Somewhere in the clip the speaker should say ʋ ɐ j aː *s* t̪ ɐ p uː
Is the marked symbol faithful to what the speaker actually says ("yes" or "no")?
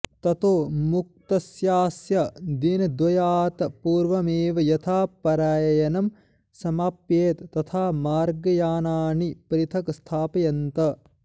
no